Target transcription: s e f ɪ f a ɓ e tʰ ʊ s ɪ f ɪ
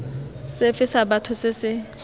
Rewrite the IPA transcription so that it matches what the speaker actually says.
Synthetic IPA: s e f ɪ s a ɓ a tʰ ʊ s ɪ s ɪ

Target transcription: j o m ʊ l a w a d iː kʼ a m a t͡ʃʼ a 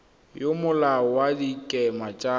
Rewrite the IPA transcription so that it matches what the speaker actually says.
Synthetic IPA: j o m ʊ l a w a d i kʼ ɛ m a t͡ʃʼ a

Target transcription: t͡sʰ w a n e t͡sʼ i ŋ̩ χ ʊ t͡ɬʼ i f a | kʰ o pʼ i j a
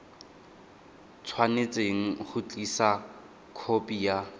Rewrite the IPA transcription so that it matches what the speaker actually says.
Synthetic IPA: t͡sʰ w a n e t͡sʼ e ŋ̩ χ ʊ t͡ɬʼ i s a | kʰ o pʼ i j a

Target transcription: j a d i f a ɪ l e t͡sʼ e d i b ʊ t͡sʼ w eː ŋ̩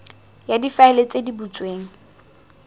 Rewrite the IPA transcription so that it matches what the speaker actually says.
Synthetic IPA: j a d i f a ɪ l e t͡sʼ e d i b u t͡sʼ w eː ŋ̩

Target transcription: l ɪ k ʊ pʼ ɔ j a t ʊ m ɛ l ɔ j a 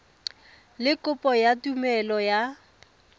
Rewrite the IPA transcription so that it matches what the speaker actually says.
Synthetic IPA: l ɪ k ʊ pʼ ɔ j a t u m ɛ l ɔ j a

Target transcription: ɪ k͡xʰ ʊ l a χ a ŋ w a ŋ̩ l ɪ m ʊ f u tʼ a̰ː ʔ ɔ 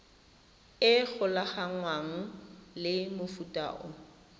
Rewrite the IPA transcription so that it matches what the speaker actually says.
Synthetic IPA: ɪ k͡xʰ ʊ l a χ a ŋ w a ŋ̩ l ɪ m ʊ f u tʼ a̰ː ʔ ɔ

